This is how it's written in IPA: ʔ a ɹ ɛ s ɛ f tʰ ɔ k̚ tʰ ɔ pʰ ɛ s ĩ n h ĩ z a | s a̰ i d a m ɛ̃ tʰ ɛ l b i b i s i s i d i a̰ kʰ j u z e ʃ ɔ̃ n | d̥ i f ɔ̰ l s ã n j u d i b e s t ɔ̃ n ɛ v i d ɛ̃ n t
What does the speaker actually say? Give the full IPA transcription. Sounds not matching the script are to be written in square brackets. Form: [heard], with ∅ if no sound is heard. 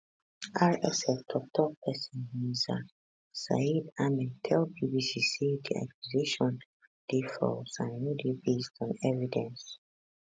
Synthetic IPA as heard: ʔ a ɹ ɛ s ɛ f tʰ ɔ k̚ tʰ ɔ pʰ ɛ s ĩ n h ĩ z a | s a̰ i d a m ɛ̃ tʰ ɛ l b i b i s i s i d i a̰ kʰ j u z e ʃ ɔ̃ n | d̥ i f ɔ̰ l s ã n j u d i b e s t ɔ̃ n ɛ v i d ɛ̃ n [s]